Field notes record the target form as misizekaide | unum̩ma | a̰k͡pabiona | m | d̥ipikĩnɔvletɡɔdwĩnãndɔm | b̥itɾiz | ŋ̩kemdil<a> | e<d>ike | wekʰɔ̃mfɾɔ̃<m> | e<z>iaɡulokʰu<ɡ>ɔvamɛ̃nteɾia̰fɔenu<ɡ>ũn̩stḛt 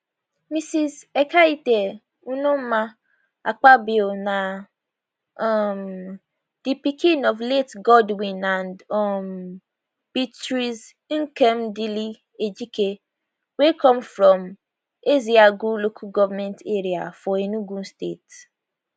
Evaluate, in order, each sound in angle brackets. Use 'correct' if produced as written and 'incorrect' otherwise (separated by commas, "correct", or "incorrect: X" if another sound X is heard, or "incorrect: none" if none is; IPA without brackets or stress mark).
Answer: incorrect: i, incorrect: d͡ʒ, correct, correct, correct, correct